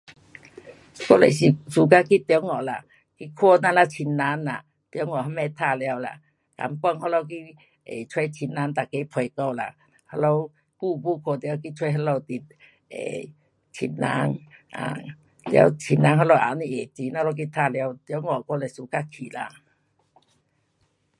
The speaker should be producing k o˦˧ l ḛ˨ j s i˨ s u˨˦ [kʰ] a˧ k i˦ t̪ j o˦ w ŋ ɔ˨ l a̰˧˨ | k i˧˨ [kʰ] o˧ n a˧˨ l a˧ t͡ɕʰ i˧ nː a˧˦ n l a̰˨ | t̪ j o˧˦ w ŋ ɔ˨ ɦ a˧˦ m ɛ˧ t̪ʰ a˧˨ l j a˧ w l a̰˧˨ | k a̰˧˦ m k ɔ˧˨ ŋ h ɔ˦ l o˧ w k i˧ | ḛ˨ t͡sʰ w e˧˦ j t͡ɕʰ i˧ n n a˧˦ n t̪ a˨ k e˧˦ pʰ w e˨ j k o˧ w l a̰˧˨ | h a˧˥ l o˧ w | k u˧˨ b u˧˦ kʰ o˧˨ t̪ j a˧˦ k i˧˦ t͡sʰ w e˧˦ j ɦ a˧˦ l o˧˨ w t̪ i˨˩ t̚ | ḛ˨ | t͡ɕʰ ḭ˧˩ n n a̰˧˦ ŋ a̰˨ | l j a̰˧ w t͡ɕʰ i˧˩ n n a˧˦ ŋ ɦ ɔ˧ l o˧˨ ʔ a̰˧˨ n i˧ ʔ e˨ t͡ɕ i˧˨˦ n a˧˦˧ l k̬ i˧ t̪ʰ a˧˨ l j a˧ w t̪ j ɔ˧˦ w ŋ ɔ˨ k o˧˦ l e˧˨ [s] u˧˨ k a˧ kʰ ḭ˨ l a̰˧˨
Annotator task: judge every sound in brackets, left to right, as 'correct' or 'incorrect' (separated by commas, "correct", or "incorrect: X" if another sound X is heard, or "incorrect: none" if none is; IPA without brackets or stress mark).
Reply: incorrect: k, correct, correct